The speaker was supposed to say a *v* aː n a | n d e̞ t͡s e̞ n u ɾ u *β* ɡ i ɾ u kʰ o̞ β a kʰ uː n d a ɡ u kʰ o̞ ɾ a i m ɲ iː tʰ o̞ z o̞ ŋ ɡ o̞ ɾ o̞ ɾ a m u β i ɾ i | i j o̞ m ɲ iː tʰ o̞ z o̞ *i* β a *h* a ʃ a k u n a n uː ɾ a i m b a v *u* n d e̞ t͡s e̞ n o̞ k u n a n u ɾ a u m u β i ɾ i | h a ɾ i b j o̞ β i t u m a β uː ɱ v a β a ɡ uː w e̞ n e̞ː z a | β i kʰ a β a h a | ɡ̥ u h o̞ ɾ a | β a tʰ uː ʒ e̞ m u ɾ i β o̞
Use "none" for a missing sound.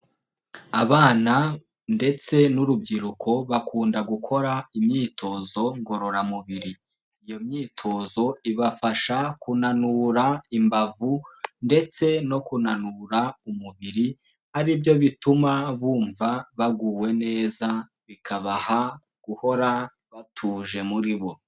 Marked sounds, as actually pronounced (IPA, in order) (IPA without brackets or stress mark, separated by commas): β, b, i, f, u